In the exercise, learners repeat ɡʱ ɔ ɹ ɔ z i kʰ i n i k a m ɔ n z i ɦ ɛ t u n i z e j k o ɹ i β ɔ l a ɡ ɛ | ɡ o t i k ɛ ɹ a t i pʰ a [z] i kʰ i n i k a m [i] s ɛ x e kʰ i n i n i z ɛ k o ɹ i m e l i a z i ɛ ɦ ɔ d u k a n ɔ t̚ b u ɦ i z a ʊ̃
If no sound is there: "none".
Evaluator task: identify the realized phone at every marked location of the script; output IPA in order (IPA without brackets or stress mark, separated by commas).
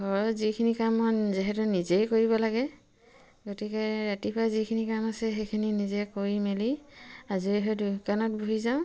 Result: z, a